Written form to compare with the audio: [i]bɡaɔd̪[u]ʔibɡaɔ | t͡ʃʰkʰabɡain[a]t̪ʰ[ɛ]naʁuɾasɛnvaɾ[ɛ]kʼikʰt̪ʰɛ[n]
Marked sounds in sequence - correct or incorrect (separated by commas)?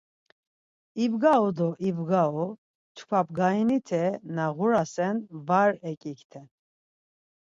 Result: correct, incorrect, incorrect, correct, correct, correct